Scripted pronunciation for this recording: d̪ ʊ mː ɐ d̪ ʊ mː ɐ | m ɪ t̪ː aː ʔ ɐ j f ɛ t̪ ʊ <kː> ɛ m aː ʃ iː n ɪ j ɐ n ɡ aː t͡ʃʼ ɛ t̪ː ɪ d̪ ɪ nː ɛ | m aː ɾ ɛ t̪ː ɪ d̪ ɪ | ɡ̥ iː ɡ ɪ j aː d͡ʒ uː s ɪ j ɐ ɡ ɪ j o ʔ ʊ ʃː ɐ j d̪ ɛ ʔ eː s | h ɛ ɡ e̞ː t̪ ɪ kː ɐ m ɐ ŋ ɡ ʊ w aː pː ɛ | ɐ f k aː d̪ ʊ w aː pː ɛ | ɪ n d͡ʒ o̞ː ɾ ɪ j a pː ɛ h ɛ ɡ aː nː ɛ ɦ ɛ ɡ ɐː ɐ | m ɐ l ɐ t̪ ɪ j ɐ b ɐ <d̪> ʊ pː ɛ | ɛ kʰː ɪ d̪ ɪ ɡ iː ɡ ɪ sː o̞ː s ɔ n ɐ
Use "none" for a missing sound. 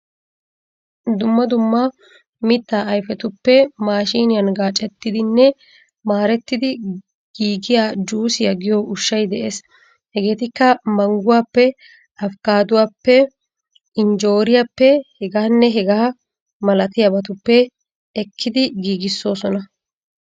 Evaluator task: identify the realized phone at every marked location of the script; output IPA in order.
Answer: pː, t̪

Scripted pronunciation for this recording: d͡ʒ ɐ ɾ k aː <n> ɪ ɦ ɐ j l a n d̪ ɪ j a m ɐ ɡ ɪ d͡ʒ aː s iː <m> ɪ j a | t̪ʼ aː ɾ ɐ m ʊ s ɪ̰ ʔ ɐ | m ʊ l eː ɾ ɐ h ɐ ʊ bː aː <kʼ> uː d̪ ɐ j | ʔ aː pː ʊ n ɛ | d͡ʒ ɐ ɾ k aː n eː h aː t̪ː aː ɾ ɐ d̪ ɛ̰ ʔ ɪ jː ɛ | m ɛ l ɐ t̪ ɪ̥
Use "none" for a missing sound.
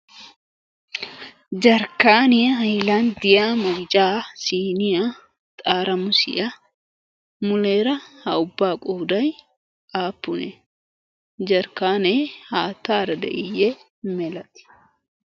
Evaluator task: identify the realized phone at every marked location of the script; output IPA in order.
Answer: n, n, kʼ

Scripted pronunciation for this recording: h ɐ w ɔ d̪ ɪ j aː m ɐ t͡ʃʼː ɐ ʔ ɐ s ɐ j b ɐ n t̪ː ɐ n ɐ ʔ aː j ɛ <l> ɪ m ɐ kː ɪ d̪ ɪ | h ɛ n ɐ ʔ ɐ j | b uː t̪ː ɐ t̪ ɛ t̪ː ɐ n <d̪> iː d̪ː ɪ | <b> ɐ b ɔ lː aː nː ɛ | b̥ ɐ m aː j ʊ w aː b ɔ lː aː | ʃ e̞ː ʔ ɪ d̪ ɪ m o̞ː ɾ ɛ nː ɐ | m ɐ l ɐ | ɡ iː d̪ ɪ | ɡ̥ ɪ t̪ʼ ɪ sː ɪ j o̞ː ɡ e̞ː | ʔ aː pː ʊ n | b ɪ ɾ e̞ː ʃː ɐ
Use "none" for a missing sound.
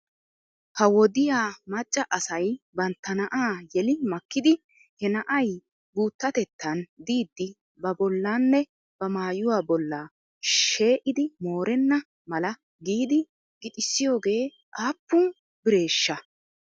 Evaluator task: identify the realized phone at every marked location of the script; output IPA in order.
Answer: l, d̪, b

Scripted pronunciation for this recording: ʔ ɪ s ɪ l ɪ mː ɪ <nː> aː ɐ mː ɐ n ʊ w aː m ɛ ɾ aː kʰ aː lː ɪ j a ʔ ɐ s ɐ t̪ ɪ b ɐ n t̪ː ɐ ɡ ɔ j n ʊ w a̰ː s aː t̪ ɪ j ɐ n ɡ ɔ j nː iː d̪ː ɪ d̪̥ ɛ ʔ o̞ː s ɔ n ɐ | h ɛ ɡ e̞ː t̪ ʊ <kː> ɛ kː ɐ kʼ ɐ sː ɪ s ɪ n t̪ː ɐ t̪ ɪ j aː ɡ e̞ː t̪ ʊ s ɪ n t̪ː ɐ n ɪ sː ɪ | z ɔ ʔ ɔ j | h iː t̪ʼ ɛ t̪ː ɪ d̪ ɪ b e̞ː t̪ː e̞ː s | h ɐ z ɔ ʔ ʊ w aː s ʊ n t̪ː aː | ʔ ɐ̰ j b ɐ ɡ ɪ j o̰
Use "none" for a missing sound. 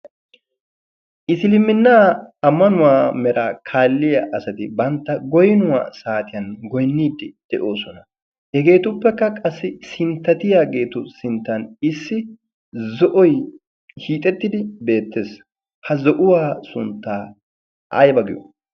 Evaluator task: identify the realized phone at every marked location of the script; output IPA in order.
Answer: nː, pː

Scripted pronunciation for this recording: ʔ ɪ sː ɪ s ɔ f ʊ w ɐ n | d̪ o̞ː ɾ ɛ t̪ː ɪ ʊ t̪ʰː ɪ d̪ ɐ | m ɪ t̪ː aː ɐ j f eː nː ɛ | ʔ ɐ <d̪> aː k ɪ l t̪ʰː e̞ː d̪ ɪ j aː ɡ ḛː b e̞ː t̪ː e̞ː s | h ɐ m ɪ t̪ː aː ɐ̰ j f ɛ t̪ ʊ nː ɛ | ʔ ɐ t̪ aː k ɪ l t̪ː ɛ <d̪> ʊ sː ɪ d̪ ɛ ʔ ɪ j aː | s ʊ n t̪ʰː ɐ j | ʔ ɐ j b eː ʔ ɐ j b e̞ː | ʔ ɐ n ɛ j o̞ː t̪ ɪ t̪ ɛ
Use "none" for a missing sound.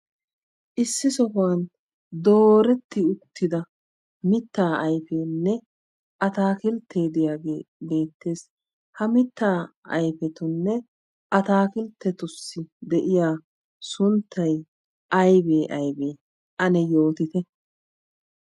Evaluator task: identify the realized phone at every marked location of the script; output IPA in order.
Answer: t̪, t̪

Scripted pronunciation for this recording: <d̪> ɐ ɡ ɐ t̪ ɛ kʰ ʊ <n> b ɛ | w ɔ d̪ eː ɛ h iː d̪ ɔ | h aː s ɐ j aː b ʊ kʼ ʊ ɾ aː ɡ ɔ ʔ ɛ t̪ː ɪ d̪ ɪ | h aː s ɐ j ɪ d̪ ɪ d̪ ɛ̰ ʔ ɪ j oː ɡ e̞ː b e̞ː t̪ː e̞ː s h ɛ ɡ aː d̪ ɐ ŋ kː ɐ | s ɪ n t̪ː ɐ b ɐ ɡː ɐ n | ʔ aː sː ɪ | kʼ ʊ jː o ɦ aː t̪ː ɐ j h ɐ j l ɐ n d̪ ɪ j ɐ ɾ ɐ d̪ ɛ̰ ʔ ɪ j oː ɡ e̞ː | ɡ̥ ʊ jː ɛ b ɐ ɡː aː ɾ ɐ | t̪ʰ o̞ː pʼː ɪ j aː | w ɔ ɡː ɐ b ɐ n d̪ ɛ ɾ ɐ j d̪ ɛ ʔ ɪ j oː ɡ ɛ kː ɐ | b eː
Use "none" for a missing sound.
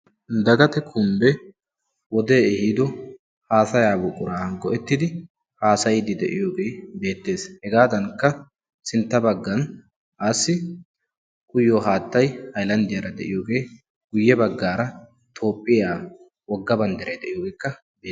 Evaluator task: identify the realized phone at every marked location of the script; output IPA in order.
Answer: d̪, m

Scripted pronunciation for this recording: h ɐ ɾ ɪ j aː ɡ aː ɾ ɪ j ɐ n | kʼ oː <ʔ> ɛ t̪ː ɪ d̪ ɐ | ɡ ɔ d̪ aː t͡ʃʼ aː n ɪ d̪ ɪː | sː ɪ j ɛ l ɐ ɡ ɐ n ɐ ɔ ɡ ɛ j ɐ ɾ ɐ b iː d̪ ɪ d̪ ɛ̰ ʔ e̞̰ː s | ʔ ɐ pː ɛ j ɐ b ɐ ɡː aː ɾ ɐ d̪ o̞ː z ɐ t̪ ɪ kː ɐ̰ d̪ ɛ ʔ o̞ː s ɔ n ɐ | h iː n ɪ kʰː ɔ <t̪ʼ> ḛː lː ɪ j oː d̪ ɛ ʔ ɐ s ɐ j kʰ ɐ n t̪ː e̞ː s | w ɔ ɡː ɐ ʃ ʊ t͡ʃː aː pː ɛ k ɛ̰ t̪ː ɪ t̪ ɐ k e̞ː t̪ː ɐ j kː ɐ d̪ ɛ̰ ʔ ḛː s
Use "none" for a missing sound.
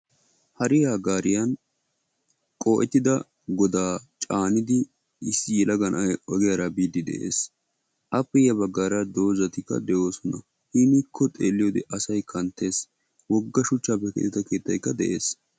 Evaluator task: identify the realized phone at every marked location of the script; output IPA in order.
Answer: ʔ, t̪ʼ

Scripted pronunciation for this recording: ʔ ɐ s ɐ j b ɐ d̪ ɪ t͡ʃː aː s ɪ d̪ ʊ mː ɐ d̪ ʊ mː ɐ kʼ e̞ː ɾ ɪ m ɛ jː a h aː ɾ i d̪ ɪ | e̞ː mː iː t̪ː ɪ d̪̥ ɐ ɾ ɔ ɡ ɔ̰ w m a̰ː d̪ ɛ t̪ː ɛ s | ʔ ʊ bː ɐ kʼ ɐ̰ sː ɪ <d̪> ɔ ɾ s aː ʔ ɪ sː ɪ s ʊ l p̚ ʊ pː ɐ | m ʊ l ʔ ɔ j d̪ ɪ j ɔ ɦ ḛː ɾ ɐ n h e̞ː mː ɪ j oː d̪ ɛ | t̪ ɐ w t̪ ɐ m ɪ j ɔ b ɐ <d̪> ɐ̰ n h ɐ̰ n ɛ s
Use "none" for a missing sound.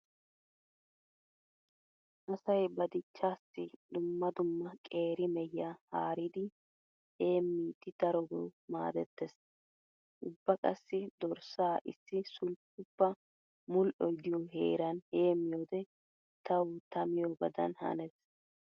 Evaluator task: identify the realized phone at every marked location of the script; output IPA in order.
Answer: d̪, d̪

